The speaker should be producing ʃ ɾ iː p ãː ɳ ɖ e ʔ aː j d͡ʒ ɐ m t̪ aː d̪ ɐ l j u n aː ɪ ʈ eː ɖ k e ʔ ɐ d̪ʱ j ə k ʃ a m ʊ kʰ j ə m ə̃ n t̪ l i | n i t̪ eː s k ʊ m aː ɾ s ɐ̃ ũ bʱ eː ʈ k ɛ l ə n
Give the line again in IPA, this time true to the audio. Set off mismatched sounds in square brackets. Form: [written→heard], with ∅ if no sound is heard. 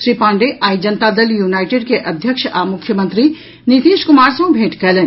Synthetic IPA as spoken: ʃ ɾ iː p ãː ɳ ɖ e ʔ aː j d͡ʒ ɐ [m→n] t̪ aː d̪ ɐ l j u n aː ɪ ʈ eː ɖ k e ʔ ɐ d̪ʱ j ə k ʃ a m ʊ kʰ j ə m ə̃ n t̪ [l→ɾ] i | n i t̪ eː [s→ʃ] k ʊ m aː ɾ s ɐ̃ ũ bʱ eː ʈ k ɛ l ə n